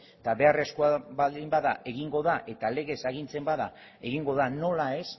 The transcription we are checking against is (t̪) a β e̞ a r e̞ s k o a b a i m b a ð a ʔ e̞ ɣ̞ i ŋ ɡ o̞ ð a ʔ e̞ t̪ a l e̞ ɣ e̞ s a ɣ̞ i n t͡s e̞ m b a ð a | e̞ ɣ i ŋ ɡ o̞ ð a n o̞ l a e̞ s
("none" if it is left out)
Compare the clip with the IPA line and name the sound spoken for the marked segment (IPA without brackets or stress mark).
t̪